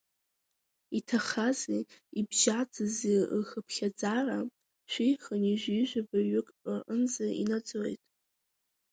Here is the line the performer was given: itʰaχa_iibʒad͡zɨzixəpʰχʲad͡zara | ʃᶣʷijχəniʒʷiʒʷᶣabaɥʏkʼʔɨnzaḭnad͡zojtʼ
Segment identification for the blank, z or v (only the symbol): z